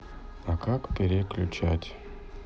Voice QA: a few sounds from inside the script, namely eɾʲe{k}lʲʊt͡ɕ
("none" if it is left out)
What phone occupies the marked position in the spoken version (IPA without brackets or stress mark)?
k